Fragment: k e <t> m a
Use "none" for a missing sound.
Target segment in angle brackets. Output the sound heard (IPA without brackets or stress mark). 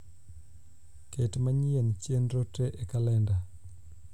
t